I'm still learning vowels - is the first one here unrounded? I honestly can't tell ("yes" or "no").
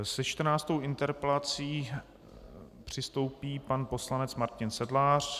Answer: yes